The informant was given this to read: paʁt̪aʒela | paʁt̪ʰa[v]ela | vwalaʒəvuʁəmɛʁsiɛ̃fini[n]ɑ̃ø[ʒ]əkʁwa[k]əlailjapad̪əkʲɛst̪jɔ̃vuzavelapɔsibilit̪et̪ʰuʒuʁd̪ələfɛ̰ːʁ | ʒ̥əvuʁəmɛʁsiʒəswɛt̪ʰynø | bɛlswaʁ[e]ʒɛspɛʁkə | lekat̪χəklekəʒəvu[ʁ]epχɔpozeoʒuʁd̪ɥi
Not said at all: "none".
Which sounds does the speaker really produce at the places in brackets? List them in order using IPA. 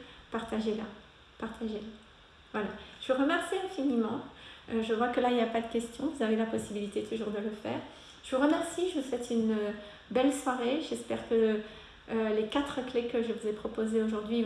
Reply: ʒ, m, ʒ, k, e, z

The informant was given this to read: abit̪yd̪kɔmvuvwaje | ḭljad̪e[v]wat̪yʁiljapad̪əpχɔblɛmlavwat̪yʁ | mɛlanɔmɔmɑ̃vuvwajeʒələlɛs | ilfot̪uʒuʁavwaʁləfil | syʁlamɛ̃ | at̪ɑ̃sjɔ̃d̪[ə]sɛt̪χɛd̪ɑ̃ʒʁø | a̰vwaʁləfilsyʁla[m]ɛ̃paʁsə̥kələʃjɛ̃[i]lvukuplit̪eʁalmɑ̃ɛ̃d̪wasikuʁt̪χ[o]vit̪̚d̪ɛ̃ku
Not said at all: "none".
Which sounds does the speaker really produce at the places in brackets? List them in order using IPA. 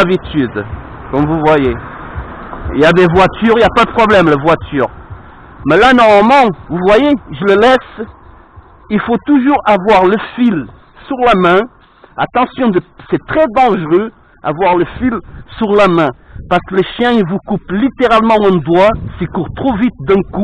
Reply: v, ə, m, i, o

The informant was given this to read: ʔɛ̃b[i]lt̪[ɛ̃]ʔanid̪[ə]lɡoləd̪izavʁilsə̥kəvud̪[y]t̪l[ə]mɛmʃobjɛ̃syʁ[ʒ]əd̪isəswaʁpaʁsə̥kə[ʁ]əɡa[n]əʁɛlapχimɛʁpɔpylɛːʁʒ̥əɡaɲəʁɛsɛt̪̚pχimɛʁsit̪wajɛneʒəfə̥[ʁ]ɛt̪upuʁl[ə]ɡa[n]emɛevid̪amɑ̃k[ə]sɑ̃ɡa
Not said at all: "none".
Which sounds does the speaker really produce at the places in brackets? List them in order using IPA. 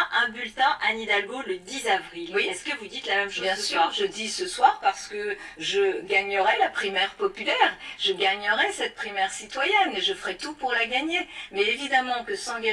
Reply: y, ɛ̃, a, i, a, ʒ, ʒ, ɲ, ʁ, a, ɲ, ə

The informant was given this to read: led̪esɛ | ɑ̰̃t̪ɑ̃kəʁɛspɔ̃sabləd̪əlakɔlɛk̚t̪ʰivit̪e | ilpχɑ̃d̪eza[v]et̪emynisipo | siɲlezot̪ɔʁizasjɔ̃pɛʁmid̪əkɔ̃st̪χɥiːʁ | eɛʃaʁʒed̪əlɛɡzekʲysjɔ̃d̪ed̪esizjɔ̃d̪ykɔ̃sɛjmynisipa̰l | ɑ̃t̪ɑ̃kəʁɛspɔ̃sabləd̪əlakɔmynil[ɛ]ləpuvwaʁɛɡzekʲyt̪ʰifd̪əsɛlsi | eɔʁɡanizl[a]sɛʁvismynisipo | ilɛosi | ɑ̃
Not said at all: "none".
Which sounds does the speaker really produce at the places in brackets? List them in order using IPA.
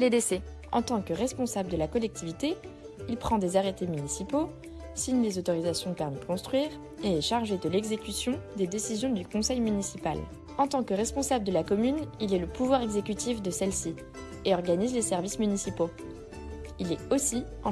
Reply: ʁ, ɛ, e

